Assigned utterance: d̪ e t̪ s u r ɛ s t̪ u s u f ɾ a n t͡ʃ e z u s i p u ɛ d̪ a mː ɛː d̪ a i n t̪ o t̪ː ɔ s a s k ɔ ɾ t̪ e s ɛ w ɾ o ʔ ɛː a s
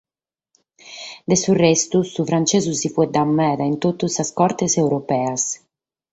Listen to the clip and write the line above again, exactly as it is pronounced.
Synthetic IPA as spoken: d̪ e s u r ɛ s t̪ u s u f ɾ a n t͡ʃ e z u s i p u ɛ d̪ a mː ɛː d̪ a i n t̪ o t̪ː u s a s k ɔ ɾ t̪ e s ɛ w ɾ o p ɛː a s